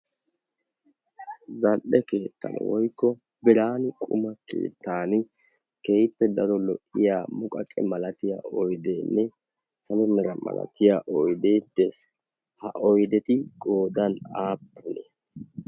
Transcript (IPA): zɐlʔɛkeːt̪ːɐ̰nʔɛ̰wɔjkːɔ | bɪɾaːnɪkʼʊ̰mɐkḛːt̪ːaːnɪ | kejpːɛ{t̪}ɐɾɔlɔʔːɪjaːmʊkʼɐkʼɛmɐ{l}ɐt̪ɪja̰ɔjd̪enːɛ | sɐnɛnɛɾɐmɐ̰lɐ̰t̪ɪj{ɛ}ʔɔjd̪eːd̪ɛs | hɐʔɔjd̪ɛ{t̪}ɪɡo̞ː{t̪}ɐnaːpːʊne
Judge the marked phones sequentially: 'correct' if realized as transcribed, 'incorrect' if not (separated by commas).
incorrect, correct, incorrect, correct, incorrect